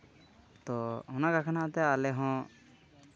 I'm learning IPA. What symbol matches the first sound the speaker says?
t̪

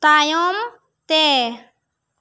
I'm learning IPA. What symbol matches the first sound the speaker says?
t̪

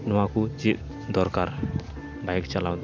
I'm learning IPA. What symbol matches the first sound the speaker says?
n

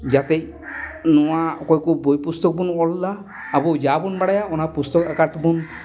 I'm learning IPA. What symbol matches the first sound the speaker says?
d͡ʒ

